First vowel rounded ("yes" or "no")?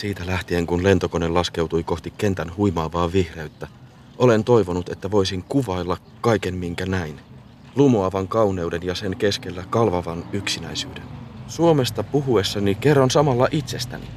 no